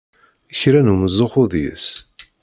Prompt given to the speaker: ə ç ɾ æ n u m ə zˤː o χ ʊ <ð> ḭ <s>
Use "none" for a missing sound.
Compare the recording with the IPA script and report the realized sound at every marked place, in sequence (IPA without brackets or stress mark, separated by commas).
ð, s